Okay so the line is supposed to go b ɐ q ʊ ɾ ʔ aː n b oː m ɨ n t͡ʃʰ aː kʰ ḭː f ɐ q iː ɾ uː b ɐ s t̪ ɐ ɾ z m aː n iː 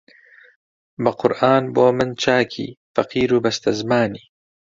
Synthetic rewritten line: b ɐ q ʊ ɾ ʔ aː n b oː m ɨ n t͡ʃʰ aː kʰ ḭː f ɐ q iː ɾ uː b ɐ s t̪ ɐ z m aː n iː